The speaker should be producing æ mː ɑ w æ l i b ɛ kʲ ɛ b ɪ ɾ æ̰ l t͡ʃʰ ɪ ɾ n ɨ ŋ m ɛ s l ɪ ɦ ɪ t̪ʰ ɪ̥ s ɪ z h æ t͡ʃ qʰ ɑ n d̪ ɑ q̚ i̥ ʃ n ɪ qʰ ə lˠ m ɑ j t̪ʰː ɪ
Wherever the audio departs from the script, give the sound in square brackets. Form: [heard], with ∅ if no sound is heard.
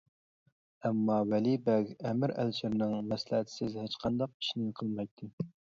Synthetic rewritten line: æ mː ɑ w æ l i b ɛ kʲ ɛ [m] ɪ ɾ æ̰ l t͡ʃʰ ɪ ɾ n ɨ ŋ m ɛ s l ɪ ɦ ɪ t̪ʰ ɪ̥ s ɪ z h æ t͡ʃ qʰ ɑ n d̪ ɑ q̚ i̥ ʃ n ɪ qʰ ə lˠ m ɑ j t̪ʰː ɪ